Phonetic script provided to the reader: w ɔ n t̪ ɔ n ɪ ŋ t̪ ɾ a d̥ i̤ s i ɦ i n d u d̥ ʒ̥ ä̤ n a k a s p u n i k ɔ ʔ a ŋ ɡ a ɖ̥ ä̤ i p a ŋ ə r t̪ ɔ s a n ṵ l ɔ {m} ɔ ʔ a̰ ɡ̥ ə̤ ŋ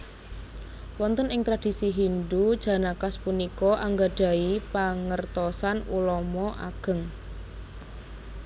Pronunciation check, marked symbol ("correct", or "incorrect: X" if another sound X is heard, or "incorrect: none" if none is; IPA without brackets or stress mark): correct